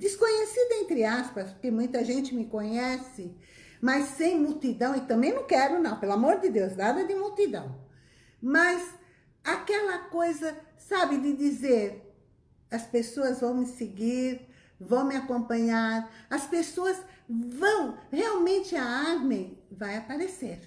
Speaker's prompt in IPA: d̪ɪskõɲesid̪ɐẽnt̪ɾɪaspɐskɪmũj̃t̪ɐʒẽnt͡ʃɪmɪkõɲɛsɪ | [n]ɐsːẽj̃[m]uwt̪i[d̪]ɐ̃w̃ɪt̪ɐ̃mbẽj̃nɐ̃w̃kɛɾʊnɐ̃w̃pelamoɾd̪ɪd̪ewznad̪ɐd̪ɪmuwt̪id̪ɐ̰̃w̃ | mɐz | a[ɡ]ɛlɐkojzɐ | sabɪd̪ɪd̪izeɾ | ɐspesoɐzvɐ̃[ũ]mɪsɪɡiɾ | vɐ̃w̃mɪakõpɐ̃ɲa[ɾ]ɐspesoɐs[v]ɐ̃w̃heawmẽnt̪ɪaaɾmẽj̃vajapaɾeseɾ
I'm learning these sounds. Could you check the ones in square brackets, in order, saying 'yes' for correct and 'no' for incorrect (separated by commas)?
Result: no, yes, yes, no, no, yes, yes